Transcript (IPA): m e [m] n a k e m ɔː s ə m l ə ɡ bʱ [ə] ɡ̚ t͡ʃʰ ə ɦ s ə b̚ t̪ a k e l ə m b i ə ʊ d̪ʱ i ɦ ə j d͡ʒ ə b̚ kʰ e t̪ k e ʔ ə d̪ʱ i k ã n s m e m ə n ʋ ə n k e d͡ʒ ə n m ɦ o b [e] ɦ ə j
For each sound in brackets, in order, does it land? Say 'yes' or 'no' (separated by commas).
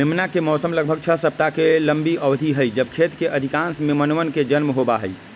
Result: yes, yes, no